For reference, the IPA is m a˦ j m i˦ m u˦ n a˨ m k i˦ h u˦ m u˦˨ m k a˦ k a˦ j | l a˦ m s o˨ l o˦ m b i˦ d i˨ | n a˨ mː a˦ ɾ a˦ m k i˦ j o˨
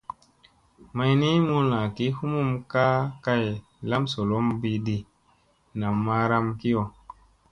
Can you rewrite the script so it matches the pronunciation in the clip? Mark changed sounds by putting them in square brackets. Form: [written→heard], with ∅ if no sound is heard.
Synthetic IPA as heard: m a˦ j [m→n] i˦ m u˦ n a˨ [m→∅] k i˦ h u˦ m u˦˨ m k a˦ k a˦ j | l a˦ m s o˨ l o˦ m b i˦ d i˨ | n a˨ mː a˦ ɾ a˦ m k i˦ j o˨